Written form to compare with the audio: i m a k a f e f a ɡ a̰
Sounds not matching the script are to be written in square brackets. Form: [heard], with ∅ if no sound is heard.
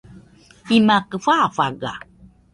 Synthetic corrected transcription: i m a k [ə] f [a] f a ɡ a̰